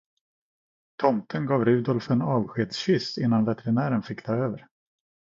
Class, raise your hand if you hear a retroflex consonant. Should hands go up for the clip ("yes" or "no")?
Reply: no